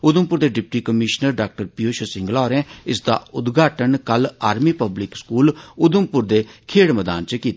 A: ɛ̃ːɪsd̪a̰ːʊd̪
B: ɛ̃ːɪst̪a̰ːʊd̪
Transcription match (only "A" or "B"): A